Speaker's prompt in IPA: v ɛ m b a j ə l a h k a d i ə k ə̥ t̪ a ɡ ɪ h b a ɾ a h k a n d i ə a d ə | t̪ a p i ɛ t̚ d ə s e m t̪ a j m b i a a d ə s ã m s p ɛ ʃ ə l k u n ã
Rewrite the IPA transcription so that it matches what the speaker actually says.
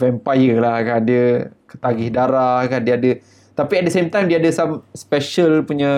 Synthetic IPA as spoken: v ɛ m p a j ə l a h k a d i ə k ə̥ t̪ a ɡ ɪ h d a ɾ a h k a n d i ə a d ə | t̪ a p i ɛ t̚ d ə s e m t̪ a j m d i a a d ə s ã m s p ɛ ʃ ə l p u ɲ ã